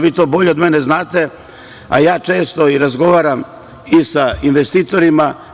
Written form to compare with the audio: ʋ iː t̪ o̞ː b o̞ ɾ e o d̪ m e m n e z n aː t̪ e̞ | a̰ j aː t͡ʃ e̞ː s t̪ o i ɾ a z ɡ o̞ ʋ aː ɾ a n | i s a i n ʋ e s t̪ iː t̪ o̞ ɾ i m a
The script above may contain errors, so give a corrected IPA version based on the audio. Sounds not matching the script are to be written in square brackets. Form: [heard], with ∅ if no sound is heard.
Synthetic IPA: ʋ iː t̪ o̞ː b o̞ [ʎ] e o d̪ m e [∅] n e z n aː t̪ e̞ | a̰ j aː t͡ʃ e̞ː s t̪ o i ɾ a z ɡ o̞ ʋ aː ɾ a [m] | i s a i n ʋ e s t̪ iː t̪ o̞ ɾ i m a

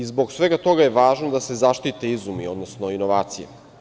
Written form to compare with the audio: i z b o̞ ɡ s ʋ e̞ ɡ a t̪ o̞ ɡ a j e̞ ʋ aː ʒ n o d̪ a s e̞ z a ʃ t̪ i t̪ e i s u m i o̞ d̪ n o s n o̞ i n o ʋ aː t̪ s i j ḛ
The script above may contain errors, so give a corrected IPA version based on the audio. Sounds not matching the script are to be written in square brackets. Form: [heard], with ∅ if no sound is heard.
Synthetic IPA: i z b o̞ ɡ s ʋ e̞ ɡ a t̪ o̞ ɡ a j e̞ ʋ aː ʒ n o d̪ a s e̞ z a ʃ t̪ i t̪ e i [z] u m i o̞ d̪ n o s n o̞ i n o ʋ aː t̪ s i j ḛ

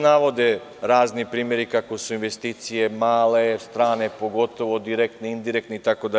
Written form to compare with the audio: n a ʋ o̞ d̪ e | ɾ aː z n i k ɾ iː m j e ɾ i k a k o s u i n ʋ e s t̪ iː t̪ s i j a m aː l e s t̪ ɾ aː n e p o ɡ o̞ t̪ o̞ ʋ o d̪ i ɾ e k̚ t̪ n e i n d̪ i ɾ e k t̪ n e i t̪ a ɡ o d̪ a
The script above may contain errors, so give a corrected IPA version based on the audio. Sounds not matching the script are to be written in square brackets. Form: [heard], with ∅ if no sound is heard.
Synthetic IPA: n a ʋ o̞ d̪ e | ɾ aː z n i [p] ɾ iː m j e ɾ i k a k o s u i n ʋ e s t̪ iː t̪ s i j [e] m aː l e s t̪ ɾ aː n e p o ɡ o̞ t̪ o̞ ʋ o d̪ i ɾ e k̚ t̪ n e i n d̪ i ɾ e k t̪ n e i t̪ a [k] o d̪ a

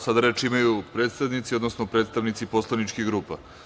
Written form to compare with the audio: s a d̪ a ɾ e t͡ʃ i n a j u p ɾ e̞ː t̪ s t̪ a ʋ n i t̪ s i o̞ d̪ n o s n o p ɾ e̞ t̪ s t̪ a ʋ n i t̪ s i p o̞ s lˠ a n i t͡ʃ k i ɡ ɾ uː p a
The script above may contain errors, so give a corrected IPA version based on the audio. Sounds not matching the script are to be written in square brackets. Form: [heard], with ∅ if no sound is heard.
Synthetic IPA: s a d̪ a ɾ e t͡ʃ i [m] a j u p ɾ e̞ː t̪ s t̪ a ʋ n i t̪ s i o̞ d̪ n o s n o p ɾ e̞ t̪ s t̪ a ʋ n i t̪ s i p o̞ s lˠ a n i t͡ʃ k i ɡ ɾ uː p a

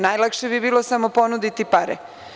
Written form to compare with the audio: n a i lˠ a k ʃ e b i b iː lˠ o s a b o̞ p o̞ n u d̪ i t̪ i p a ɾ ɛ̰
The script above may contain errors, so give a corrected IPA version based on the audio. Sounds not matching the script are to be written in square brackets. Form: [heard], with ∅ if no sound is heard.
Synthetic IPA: n a [j] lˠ a k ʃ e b i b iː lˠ o s a [m] o̞ p o̞ n u d̪ i t̪ i p a ɾ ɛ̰

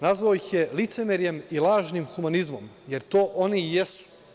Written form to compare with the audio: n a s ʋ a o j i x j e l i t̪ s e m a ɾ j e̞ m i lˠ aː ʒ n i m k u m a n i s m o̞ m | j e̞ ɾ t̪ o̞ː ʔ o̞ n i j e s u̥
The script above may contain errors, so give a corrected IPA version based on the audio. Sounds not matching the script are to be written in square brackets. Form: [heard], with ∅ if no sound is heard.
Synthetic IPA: n a [z] ʋ a o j i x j e l i t̪ s e m [e] ɾ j e̞ m i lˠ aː ʒ n i m [x] u m a n i [z] m o̞ m | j e̞ ɾ t̪ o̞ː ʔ o̞ n i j e s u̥

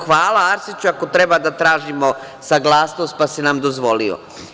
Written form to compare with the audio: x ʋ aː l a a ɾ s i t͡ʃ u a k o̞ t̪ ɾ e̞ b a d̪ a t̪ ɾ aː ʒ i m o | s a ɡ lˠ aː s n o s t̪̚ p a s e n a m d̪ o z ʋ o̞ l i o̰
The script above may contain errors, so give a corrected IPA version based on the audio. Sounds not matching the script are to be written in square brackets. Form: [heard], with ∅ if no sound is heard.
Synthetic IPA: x ʋ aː l a a ɾ s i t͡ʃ u a k o̞ t̪ ɾ e̞ b a d̪ a t̪ ɾ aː ʒ i m o | s a ɡ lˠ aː s n o s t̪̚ p a s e n a m d̪ o z ʋ o̞ l i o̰

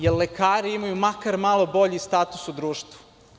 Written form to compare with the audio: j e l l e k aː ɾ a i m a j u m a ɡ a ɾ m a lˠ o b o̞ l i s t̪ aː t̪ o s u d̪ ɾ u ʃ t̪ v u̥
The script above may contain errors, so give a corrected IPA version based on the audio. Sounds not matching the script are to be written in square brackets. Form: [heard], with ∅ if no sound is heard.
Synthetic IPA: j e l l e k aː ɾ [i] i m a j u m a [k] a ɾ m a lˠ o b o̞ [ʎ] i s t̪ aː t̪ [u] s u d̪ ɾ [uː] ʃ t̪ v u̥

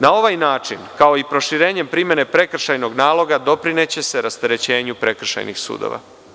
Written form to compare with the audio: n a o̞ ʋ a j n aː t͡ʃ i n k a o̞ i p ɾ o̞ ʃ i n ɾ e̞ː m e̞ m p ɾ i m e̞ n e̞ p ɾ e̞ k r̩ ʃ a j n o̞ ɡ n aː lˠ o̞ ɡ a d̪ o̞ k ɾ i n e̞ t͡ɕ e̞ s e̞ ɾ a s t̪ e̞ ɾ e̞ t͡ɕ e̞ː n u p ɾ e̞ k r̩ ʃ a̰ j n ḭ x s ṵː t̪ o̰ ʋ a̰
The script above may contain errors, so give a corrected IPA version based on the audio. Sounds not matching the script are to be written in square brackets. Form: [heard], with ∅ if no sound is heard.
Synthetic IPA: n a o̞ ʋ a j n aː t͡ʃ i n k a o̞ i p ɾ o̞ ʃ i [∅] ɾ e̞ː [ɲ] e̞ m p ɾ i m e̞ n e̞ p ɾ e̞ k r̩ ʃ a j n o̞ ɡ n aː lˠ o̞ ɡ a d̪ o̞ [p] ɾ i n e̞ t͡ɕ e̞ s e̞ ɾ a s t̪ e̞ ɾ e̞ t͡ɕ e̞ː [ɲ] u p ɾ e̞ k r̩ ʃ a̰ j n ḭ x s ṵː [d̪] o̰ ʋ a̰

